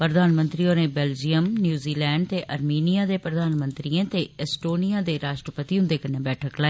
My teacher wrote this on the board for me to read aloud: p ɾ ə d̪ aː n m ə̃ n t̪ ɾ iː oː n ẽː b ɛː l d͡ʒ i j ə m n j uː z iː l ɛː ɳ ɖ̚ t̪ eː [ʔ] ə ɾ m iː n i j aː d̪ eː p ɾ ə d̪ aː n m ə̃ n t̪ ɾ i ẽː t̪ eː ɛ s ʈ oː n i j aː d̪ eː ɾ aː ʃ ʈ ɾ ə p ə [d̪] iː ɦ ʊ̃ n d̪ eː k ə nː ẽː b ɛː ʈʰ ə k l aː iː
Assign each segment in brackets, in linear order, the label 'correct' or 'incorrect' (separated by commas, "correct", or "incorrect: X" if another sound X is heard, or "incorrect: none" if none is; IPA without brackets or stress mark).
correct, incorrect: t̪